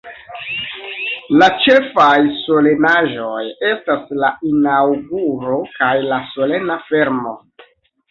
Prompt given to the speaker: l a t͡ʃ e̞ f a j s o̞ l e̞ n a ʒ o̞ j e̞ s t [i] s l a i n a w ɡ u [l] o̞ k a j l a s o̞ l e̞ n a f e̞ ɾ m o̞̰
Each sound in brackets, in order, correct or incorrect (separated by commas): incorrect, incorrect